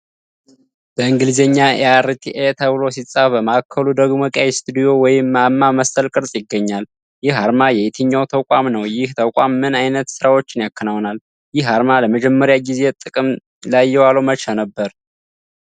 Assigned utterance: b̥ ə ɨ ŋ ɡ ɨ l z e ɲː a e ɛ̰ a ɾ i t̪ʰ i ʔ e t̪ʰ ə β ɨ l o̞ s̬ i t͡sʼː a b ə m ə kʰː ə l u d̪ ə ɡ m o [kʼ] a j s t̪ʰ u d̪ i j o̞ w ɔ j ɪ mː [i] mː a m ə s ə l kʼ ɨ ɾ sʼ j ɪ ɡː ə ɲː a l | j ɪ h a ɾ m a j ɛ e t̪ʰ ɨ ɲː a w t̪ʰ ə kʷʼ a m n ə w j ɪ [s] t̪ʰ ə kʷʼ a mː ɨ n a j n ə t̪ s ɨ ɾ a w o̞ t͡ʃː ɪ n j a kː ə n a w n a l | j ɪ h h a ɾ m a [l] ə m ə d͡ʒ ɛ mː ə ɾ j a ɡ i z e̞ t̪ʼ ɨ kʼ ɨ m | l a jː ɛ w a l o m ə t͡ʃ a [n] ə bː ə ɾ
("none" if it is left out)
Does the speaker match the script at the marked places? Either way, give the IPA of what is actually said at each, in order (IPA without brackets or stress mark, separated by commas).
kʼ, a, h, l, n